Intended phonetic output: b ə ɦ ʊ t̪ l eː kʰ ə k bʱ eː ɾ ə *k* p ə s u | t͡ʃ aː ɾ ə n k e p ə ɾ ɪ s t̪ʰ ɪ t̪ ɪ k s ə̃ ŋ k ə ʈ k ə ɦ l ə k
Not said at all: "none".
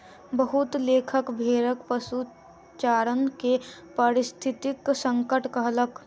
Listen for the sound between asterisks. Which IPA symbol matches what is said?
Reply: k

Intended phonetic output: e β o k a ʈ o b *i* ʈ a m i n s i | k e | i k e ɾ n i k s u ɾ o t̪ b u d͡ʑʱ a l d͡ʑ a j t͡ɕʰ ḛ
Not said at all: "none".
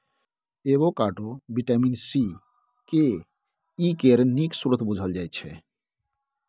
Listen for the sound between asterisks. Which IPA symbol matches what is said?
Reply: i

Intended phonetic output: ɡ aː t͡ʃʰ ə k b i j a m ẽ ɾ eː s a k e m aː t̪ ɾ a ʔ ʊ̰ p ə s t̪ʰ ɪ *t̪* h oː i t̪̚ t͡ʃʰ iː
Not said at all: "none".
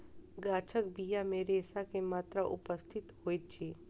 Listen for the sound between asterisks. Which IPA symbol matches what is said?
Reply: t̪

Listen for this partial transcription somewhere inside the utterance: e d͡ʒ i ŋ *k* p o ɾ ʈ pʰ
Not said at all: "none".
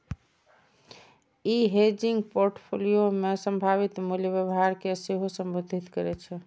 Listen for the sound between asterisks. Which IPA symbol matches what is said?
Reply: ɡ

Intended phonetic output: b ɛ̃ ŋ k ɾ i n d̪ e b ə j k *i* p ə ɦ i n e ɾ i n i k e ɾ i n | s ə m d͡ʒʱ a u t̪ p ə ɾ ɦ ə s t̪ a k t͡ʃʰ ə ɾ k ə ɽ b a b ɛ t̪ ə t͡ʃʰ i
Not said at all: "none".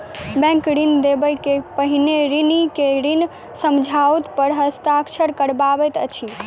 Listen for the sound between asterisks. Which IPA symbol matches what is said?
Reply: e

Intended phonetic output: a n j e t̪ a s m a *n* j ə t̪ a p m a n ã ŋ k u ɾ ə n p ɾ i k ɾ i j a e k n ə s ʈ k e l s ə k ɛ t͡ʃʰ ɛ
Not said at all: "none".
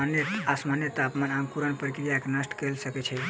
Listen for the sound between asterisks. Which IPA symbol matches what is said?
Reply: n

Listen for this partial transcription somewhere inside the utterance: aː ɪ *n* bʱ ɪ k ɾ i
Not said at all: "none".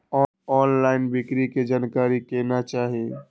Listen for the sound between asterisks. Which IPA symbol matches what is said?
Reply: n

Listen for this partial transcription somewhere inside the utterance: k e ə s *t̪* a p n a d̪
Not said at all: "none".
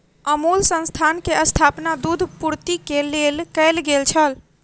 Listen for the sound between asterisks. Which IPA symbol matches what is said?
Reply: t̪ʰ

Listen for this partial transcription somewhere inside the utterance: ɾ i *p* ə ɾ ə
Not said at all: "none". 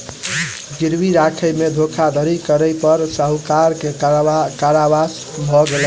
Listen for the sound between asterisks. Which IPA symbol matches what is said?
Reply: k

